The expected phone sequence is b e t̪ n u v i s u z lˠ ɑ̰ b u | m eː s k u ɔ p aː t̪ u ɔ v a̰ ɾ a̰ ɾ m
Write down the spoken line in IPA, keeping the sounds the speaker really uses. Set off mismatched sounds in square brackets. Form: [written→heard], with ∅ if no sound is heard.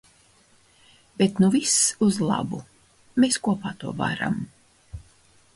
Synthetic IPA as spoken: b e t̪ n u v i s u z lˠ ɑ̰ b u | m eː s k u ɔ p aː t̪ u ɔ v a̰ ɾ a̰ [ɾ→∅] m